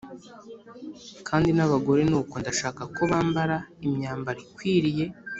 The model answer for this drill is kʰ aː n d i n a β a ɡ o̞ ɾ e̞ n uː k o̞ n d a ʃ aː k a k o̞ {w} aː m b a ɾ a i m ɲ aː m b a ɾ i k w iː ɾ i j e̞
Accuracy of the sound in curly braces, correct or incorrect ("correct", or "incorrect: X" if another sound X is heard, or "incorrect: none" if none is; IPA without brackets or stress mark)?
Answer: incorrect: β